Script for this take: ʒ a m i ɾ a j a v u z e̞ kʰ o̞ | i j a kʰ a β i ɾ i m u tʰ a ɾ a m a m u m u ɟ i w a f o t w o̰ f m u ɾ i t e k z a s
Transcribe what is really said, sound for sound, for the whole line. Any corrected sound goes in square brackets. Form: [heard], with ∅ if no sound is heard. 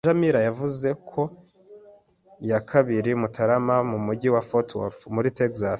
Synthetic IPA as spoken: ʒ a m i ɾ a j a v u z e̞ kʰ o̞ | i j a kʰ a β i ɾ i m u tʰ a ɾ a m a m u m u ɟ i w a f o t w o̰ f m u ɾ i t e k z a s